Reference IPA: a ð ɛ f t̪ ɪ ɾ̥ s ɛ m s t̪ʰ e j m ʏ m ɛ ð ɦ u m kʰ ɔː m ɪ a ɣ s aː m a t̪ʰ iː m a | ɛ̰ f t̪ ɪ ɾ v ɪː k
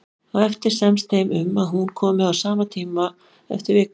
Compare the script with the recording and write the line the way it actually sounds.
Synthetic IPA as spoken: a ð ɛ f t̪ ɪ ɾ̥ s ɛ m s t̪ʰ e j m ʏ m a ð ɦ u n kʰ ɔː m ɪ a w s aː m a t̪ʰ iː m a | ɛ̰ f t̪ ɪ ɾ v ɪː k